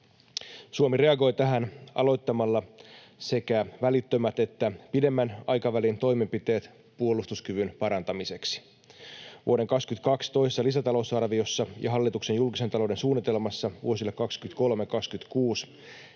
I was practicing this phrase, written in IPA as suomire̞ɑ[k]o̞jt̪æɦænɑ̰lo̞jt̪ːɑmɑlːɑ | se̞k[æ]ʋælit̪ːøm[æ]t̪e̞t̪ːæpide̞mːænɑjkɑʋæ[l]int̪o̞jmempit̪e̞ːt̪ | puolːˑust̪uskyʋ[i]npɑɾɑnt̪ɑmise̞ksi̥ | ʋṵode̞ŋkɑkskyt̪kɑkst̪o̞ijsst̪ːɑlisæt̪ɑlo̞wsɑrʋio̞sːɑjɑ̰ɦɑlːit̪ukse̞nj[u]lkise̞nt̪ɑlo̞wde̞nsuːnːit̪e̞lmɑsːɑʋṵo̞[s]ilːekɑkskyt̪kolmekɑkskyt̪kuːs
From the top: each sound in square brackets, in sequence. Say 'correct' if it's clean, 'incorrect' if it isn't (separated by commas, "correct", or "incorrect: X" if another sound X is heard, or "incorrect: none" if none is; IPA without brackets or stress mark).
incorrect: ɡ, correct, correct, correct, incorrect: y, correct, correct